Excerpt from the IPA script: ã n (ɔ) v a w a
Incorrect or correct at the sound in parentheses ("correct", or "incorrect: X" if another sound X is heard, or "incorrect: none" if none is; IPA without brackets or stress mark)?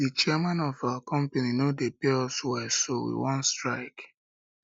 correct